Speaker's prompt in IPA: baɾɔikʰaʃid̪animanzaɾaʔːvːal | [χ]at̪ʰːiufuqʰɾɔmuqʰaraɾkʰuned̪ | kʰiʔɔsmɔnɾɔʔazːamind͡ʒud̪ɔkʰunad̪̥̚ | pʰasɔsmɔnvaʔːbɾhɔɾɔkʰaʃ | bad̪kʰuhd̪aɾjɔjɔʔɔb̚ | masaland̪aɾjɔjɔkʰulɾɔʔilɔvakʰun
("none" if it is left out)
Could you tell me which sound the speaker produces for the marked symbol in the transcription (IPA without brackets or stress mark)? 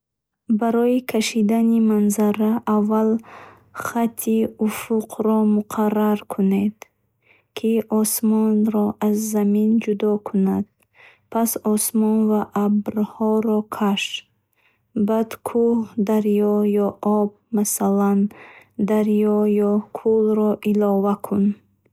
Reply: χ